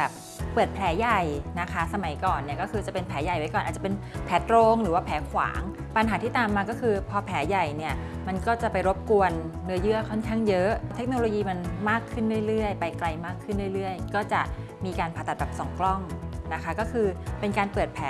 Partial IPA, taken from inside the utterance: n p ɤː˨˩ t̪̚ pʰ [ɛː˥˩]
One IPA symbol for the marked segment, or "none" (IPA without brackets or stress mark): ɛː˨˦